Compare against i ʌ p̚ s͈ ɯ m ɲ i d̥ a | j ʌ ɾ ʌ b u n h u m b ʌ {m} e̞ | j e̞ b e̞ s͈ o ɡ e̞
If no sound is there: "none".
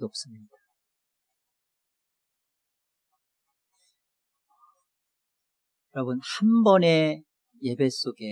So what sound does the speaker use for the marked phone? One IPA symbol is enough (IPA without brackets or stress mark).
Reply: n